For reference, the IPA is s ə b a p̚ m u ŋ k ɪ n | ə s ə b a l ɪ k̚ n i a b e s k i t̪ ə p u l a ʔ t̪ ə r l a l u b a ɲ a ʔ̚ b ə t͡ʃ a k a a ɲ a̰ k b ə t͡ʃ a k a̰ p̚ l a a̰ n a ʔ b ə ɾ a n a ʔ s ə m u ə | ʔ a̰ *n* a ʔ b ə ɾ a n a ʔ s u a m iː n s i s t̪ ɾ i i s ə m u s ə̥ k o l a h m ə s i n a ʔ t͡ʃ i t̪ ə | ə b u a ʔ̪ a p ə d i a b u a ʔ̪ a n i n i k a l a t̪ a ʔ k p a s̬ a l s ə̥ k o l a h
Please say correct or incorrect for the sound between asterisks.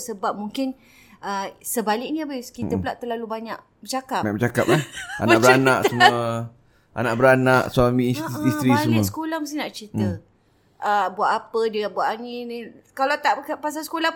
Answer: correct